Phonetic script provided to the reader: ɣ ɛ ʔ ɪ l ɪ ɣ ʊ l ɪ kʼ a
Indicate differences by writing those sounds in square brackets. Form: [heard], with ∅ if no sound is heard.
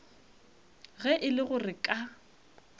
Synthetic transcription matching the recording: ɣ ɛ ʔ ɪ l ɪ ɣ ʊ [r] ɪ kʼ a

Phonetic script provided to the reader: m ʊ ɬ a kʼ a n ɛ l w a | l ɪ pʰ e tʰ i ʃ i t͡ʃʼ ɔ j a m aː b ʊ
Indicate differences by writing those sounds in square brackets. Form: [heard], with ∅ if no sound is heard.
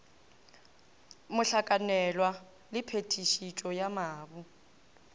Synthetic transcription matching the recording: m ʊ ɬ a kʼ a n ɛ l w a | l ɪ pʰ e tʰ i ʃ i t͡ʃʼ ɔ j a m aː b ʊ

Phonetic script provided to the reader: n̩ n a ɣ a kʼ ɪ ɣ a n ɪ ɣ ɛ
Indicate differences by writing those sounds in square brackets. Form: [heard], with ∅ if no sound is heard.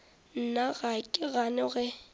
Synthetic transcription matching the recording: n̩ n a ɣ a kʼ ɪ ɣ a n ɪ ɣ ɛ

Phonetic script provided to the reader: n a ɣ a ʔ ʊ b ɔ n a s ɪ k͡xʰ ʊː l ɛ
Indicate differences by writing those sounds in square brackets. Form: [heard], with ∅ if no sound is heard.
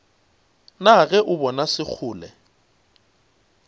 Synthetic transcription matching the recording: n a ɣ [ɛ] ʔ ʊ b ɔ n a s ɪ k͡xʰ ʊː l ɛ

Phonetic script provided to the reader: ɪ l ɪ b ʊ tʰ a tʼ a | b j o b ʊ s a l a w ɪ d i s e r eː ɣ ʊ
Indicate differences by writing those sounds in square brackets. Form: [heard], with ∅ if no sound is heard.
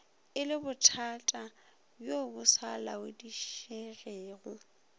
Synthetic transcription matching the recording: ɪ l ɪ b ʊ tʰ a tʼ a | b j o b ʊ s a l a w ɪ d i [ʃ] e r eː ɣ ʊ

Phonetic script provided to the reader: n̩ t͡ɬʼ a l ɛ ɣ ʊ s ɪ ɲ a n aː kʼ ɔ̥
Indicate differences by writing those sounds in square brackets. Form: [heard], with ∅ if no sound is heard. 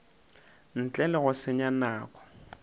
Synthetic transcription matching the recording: n̩ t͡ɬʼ [ɛ] l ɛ ɣ ʊ s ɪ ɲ a n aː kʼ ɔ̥

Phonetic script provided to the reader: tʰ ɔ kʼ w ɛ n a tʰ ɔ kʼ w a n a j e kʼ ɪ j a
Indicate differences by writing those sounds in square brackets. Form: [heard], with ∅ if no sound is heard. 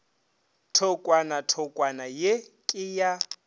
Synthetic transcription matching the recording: tʰ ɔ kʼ w [a] n a tʰ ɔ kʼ w a n a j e kʼ ɪ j a

